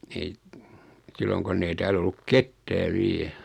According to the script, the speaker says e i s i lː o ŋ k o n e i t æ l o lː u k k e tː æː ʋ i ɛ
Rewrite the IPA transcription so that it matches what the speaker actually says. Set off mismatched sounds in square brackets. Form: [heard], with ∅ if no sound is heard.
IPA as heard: e i s i lː o ŋ k o [nː] e i t [æː] l o lː u k k e tː æː ʋ i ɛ

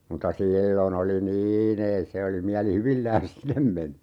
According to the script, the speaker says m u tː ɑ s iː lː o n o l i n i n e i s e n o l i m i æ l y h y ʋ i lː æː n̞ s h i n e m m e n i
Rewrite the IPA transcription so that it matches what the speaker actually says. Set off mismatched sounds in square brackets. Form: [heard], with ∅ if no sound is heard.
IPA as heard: m u tː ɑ s iː lː o n o l i n [iː] n e i s e [∅] o l i m i æ l [i] h y ʋ i lː æː n̞ s [s] i n e m m e n i

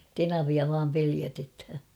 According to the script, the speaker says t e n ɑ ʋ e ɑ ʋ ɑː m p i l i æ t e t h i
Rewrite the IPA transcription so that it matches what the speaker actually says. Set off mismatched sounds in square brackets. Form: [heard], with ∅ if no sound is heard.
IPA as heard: t e n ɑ ʋ [i] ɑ ʋ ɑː m p [e] l i æ t e t h [æ]

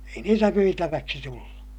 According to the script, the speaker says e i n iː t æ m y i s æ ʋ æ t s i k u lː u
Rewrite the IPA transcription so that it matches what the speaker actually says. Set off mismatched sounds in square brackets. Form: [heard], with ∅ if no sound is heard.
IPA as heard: e i n iː t æ m y i [t] æ ʋ æ [k] s i [t] u lː u

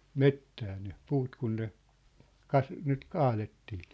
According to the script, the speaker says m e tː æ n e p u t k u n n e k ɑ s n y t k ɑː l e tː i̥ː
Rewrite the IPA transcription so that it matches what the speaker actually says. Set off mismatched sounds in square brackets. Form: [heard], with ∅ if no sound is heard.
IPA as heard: m e tː [æː] n e p [uː] t k u n n e k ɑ s n y t k ɑː l e tː i̥ː

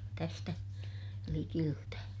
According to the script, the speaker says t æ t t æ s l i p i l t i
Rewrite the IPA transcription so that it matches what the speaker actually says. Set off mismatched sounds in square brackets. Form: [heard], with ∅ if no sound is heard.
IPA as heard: t æ [s] t æ [∅] l i [k] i l t [æ]

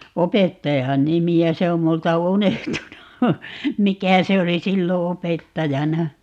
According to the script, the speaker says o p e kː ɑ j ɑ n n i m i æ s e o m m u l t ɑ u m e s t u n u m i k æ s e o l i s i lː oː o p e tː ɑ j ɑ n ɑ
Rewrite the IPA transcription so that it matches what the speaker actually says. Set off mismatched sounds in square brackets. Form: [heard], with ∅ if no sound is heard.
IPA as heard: o p e [tː] ɑ j ɑ n n i m i æ s e o m m u l t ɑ u [n] e [h] t u n u m i k æ s e o l i s i lː [o] o p e tː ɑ j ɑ n ɑ

